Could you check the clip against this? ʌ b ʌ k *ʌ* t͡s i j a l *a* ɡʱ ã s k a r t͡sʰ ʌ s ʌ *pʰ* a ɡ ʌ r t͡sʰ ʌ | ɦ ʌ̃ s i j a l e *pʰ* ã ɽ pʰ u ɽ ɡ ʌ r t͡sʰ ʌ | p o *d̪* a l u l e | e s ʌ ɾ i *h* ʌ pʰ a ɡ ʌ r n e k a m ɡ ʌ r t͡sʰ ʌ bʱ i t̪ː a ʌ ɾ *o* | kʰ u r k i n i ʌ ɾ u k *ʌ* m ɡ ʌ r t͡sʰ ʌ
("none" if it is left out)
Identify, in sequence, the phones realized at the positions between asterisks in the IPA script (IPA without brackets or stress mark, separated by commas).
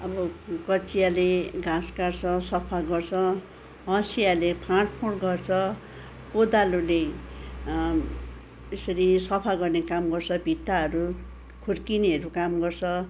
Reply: ʌ, e, pʰ, pʰ, d̪, s, u, a